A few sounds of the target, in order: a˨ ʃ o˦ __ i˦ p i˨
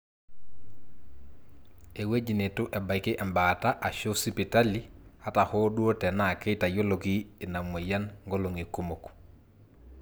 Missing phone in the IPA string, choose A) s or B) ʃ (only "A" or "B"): A